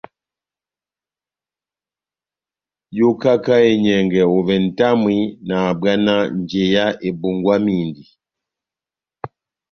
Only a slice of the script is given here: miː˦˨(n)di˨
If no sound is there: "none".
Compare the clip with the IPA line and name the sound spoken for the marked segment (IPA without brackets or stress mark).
n